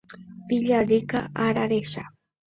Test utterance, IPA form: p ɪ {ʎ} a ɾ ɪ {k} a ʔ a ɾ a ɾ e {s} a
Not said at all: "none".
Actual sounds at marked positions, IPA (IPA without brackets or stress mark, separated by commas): ʎ, k, ʃ